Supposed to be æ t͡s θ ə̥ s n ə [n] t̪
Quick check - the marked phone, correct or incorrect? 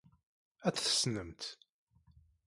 incorrect